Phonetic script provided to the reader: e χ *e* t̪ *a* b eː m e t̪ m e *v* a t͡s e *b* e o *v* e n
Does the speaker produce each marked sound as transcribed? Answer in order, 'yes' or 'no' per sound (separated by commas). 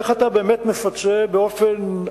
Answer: no, yes, no, yes, no